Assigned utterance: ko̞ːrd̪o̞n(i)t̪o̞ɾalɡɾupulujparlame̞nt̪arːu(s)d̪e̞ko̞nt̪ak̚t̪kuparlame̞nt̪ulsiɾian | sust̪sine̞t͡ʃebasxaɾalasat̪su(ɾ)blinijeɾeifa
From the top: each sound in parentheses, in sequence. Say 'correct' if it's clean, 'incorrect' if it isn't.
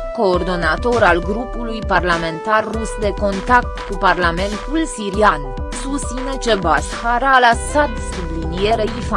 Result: incorrect: a, correct, incorrect: none

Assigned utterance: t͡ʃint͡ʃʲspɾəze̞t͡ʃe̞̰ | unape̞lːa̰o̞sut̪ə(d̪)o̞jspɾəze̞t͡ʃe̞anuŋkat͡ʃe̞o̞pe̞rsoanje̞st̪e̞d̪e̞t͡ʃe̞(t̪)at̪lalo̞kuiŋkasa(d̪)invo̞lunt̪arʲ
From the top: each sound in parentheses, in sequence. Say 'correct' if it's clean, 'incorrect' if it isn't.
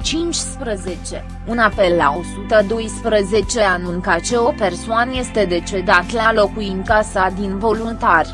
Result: correct, incorrect: d̪, correct

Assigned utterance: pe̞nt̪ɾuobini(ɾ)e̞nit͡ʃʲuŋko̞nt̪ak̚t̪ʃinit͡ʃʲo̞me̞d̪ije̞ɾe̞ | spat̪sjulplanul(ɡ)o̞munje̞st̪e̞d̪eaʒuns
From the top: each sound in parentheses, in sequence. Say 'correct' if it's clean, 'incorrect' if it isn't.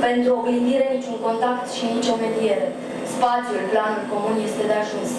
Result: correct, incorrect: k

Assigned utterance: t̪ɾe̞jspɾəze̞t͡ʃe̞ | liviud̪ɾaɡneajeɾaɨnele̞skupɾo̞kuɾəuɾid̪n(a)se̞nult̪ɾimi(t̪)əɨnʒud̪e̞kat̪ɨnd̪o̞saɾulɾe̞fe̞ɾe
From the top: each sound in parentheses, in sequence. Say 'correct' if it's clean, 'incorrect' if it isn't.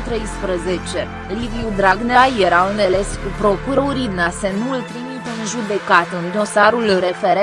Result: correct, correct

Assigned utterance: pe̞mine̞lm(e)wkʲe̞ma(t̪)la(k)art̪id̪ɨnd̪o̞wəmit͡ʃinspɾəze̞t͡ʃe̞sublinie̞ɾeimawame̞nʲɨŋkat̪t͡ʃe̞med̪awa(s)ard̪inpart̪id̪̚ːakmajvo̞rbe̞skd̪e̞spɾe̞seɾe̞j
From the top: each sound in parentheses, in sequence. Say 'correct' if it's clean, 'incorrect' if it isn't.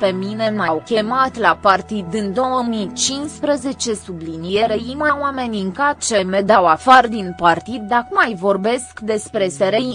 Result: incorrect: a, correct, incorrect: p, incorrect: f

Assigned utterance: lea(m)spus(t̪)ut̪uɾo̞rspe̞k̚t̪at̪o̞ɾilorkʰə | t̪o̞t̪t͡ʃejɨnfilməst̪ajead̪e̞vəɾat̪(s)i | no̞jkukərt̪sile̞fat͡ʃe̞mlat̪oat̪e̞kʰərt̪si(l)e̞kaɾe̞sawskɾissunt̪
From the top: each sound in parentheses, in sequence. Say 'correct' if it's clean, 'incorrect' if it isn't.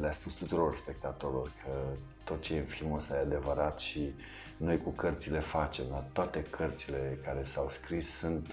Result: incorrect: none, correct, incorrect: ʃ, correct

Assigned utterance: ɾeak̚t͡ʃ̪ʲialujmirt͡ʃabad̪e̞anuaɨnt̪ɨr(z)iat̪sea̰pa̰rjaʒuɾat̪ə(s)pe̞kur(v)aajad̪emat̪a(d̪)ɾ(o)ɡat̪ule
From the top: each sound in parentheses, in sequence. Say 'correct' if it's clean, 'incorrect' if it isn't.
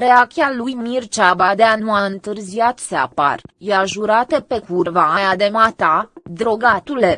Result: correct, incorrect: none, correct, correct, correct

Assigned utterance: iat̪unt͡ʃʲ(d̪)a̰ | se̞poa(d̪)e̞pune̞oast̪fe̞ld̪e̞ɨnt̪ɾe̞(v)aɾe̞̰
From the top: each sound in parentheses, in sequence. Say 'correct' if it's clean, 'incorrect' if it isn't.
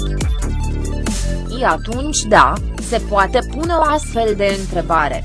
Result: correct, incorrect: t̪, incorrect: b

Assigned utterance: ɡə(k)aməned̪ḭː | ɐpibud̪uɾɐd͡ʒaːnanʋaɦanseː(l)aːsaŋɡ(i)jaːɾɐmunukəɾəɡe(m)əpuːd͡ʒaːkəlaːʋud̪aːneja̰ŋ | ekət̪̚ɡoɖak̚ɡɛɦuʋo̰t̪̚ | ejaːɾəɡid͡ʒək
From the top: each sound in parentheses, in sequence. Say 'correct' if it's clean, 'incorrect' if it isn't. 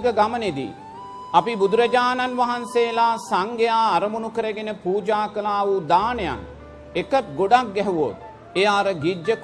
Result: incorrect: ɡ, correct, incorrect: e, incorrect: n

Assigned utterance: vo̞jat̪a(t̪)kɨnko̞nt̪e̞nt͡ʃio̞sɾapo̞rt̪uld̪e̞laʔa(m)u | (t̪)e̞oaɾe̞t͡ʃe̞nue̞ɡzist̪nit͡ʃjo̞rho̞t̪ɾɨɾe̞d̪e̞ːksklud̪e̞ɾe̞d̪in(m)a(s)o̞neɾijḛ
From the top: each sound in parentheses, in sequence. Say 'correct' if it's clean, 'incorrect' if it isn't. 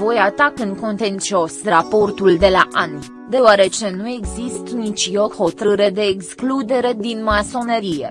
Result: incorrect: none, incorrect: n, incorrect: d̪, correct, correct

